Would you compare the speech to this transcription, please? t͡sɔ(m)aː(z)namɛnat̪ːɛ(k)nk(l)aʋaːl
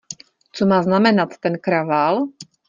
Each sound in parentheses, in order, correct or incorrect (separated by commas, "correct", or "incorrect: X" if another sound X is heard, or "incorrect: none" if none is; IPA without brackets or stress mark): correct, correct, incorrect: none, incorrect: ɾ